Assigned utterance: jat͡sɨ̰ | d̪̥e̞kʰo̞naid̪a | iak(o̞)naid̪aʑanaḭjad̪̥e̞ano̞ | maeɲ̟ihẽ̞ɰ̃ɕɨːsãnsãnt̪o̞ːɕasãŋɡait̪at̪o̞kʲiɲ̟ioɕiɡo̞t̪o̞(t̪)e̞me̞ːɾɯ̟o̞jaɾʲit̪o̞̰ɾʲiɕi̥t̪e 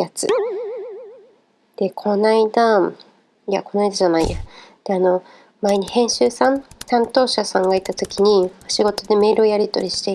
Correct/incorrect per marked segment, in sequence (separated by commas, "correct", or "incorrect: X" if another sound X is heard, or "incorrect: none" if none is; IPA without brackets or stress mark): correct, incorrect: d̪